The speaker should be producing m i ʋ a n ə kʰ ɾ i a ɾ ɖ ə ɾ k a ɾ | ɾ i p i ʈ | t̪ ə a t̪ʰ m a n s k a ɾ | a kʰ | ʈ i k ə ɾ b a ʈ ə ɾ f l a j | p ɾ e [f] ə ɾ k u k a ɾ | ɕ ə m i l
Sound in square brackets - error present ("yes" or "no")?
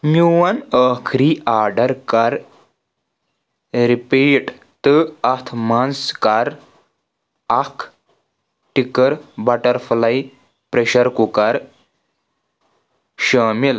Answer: yes